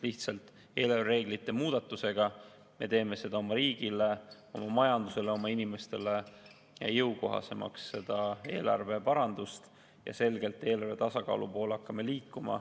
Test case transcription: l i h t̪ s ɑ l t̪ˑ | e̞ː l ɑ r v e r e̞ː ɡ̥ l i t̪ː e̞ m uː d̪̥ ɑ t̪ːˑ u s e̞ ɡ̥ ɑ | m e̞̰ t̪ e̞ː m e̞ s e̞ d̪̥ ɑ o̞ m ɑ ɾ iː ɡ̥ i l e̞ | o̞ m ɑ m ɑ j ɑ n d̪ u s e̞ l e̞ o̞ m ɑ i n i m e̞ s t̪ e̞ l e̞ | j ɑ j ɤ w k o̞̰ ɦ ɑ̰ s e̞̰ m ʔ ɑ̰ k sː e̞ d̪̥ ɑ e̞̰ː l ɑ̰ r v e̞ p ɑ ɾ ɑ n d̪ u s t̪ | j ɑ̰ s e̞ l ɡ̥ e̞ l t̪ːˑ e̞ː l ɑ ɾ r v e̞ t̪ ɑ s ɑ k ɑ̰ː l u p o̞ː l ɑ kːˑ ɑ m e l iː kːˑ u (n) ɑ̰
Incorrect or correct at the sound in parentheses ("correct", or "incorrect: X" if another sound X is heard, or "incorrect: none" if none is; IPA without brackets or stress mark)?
incorrect: m